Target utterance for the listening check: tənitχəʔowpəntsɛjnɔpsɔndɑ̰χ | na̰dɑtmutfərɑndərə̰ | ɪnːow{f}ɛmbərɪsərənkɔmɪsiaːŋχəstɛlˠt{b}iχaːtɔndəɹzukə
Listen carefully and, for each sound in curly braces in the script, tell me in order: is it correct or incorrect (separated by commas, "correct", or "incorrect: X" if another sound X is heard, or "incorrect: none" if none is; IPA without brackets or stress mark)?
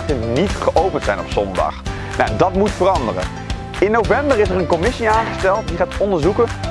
incorrect: v, incorrect: d